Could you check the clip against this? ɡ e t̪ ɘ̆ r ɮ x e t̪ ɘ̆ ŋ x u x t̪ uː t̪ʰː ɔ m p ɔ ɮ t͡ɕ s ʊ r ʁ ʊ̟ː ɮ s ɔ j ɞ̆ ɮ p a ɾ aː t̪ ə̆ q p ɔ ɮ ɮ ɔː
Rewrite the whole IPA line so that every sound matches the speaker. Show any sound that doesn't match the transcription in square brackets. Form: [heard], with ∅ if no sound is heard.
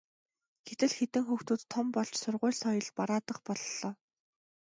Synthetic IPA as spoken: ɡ e t̪ ɘ̆ [∅] ɮ x e t̪ ɘ̆ ŋ x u x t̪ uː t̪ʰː ɔ m p ɔ ɮ t͡ɕ s ʊ r ʁ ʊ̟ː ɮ s ɔ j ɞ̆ ɮ p a ɾ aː t̪ ə̆ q p ɔ ɮ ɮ ɔː